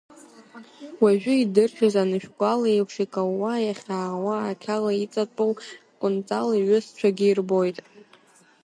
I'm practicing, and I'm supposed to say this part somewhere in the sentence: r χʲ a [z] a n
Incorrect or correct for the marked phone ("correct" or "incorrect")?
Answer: correct